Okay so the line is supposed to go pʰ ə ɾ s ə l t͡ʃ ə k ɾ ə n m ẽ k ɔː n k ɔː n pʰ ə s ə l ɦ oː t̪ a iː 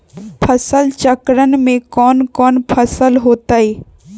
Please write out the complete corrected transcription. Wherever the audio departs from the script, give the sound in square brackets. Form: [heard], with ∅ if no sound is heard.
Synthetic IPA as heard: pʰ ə [∅] s ə l t͡ʃ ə k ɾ ə n m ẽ k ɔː n k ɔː n pʰ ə s ə l ɦ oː t̪ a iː